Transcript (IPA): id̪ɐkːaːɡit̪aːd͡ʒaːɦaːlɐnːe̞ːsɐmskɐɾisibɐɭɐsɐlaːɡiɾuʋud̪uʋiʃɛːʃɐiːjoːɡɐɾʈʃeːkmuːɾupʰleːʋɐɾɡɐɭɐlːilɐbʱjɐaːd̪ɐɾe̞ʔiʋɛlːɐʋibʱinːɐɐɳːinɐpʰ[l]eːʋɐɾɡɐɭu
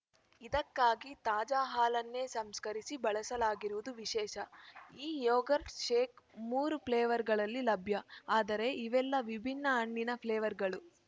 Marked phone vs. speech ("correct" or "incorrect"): correct